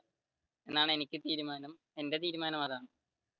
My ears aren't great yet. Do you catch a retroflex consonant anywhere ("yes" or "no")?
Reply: yes